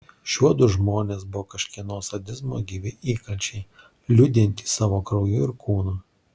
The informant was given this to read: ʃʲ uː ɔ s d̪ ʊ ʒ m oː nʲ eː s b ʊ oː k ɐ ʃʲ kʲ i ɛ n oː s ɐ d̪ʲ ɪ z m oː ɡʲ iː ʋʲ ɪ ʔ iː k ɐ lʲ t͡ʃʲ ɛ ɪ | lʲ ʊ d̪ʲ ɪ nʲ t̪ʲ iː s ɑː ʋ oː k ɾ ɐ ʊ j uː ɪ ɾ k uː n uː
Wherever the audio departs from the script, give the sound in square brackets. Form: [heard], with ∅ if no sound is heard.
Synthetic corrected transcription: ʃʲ [u] ɔ [∅] d̪ ʊ ʒ m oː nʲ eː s b ʊ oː k ɐ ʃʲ kʲ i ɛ n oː s ɐ d̪ʲ ɪ z m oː ɡʲ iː ʋʲ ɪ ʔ iː k ɐ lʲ t͡ʃʲ ɛ ɪ | lʲ ʊ d̪ʲ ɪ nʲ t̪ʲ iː s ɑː ʋ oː k ɾ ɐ ʊ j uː ɪ ɾ k uː n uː